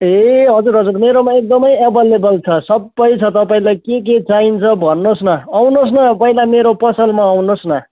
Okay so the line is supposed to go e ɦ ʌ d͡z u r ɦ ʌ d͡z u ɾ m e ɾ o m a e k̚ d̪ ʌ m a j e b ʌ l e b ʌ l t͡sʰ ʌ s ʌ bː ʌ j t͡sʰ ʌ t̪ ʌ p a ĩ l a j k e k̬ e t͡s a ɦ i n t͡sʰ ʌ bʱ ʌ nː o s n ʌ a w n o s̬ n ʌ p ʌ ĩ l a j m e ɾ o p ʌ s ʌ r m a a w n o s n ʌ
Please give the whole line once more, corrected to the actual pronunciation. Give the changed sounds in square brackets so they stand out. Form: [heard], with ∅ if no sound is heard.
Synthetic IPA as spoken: e ɦ ʌ d͡z u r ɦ ʌ d͡z u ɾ m e ɾ o m a e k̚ d̪ ʌ m [ʌ] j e b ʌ l e b ʌ l t͡sʰ ʌ s ʌ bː ʌ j t͡sʰ ʌ t̪ ʌ p a ĩ l a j k e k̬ e t͡s a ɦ i n t͡sʰ ʌ bʱ ʌ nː o s n ʌ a w n o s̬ n ʌ p ʌ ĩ l a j m e ɾ o p ʌ s ʌ [l] m a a w n o s n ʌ